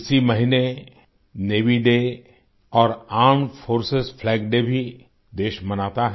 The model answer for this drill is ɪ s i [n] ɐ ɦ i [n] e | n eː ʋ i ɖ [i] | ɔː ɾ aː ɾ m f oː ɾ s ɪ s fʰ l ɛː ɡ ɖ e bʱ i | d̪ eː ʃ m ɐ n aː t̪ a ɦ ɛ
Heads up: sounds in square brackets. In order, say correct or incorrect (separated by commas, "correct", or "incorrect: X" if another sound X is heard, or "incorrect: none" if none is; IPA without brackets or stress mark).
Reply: incorrect: m, correct, incorrect: e